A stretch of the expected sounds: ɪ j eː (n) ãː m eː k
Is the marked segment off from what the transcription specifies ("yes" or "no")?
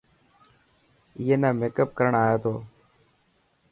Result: no